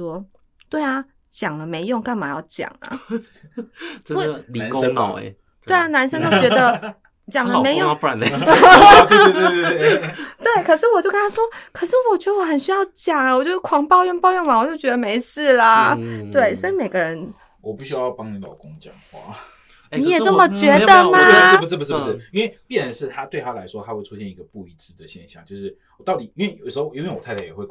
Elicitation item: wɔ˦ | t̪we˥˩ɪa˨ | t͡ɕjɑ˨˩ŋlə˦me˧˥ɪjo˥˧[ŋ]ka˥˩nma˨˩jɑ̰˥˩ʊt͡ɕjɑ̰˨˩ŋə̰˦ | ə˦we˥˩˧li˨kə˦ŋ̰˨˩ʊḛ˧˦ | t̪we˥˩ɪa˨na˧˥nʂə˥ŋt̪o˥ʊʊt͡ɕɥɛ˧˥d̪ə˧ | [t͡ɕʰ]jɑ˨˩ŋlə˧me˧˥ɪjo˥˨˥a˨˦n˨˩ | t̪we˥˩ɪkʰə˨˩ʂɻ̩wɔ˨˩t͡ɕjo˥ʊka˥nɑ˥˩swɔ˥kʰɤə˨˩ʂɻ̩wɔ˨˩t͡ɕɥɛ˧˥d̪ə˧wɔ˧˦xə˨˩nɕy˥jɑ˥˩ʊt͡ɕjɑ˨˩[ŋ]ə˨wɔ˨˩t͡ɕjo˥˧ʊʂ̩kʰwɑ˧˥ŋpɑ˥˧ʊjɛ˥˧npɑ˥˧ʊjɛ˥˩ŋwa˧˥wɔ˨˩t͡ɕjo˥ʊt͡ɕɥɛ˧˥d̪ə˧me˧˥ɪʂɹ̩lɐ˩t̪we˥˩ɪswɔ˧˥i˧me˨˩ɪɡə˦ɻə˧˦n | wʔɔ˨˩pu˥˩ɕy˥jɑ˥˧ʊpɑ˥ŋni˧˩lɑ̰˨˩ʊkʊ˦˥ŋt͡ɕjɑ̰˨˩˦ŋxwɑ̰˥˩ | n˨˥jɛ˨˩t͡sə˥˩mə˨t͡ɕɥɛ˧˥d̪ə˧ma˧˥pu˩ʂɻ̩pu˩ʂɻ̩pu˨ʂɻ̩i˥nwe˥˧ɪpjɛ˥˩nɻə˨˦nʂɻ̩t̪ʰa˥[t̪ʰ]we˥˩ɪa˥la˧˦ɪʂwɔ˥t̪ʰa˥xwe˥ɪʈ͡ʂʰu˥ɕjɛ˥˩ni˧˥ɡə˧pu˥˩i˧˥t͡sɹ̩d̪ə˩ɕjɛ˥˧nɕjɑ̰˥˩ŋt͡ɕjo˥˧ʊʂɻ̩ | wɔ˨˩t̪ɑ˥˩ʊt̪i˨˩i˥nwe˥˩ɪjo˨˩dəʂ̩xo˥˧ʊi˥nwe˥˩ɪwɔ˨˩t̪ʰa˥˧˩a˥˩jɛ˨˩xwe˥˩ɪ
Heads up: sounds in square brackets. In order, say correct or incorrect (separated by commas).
correct, incorrect, correct, incorrect